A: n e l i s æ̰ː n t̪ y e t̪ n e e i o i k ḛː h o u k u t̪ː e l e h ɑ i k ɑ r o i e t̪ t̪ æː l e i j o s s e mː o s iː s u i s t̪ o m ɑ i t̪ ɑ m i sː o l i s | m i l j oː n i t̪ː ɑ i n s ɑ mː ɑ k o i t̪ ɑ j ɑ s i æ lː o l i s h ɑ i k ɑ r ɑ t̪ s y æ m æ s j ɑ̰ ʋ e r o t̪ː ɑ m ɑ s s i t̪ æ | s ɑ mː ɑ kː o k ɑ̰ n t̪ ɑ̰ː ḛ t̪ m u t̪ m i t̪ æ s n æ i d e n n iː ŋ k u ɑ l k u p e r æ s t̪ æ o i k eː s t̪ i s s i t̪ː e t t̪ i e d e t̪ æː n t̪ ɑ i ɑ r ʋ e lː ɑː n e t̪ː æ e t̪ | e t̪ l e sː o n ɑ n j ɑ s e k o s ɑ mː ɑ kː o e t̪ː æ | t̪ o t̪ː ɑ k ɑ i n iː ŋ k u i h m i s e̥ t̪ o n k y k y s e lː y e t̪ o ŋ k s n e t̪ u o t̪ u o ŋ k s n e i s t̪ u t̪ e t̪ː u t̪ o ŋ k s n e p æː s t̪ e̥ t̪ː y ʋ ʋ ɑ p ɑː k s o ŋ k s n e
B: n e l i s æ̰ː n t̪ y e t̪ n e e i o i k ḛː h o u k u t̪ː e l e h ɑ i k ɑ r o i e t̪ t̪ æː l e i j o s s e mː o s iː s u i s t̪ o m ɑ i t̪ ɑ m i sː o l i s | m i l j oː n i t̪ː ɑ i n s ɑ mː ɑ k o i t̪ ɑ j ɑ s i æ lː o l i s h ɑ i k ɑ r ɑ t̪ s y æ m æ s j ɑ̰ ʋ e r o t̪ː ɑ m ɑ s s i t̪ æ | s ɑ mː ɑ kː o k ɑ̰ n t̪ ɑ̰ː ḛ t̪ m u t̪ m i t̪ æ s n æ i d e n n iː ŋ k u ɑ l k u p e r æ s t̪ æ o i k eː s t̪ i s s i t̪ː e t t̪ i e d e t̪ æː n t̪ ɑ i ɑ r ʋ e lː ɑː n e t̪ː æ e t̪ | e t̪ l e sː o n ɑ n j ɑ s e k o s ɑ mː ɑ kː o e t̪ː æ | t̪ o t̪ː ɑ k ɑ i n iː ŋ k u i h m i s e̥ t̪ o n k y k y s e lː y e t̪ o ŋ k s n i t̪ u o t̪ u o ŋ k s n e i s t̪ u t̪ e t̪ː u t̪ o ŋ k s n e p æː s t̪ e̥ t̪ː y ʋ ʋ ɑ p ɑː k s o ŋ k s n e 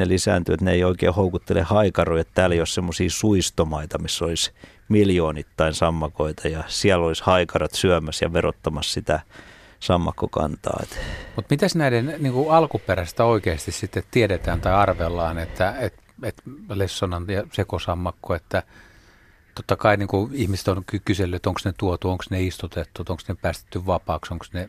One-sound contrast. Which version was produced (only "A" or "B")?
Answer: A